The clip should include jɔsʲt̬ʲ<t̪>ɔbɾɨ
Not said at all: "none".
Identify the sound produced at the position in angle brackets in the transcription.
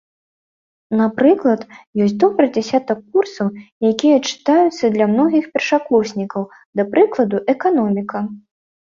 d̪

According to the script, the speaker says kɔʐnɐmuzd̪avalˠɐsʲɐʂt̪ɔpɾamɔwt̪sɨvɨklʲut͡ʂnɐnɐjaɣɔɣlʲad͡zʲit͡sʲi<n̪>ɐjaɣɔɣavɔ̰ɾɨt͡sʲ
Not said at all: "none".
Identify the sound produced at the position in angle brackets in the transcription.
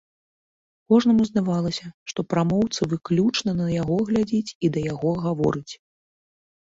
d̪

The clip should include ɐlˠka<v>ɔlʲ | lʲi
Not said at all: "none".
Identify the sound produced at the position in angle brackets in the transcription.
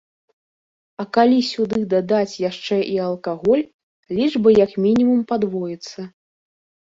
ɣ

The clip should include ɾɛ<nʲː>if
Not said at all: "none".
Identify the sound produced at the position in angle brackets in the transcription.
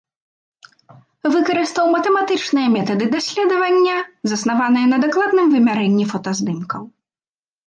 nʲː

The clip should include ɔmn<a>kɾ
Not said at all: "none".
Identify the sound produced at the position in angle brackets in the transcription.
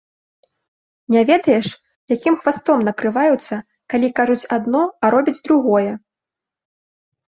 ɐ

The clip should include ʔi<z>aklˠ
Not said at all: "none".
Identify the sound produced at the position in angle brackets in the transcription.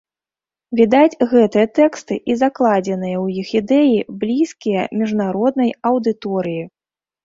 z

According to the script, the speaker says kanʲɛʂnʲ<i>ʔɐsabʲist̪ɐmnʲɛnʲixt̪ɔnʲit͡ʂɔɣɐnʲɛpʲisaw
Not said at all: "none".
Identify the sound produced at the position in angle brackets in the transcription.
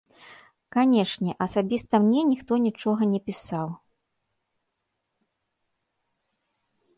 ɛ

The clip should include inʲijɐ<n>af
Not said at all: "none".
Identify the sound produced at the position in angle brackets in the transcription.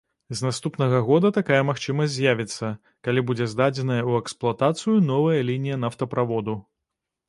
n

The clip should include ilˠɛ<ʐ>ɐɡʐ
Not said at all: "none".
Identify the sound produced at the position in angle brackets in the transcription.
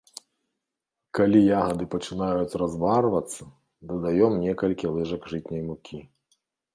ʐ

